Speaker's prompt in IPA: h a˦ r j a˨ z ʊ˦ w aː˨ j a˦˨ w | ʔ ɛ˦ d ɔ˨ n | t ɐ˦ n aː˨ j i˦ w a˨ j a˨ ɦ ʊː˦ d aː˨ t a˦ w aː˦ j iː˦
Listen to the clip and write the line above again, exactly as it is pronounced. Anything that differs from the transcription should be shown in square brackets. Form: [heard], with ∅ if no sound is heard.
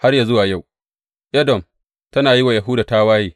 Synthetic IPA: h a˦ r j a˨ z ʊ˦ w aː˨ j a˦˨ w | ʔ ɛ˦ d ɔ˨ [m] | t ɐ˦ n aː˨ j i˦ w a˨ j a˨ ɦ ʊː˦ d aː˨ t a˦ w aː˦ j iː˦